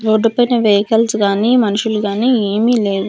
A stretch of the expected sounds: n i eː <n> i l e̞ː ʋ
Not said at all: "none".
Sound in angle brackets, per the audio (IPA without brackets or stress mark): m